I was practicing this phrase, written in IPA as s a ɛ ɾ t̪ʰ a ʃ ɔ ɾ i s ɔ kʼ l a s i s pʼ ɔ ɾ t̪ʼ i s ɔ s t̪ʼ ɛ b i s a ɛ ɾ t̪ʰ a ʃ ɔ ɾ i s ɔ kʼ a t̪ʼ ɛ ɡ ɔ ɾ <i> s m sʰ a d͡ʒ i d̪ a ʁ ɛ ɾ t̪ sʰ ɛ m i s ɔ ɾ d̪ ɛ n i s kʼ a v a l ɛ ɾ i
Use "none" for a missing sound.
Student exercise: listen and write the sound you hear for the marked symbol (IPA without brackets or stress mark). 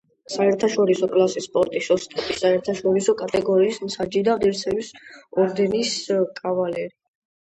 iː